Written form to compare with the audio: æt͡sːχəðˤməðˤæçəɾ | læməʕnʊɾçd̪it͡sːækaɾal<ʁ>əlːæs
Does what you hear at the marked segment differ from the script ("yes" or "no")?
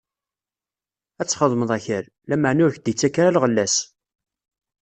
no